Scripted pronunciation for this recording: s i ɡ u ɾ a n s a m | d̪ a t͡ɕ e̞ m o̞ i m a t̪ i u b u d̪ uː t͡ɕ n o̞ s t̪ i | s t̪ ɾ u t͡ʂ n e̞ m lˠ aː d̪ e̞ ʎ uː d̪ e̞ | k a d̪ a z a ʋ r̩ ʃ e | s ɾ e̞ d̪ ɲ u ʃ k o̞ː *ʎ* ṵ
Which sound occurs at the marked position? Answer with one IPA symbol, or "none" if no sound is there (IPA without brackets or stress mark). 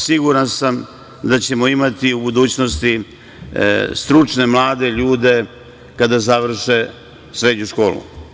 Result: l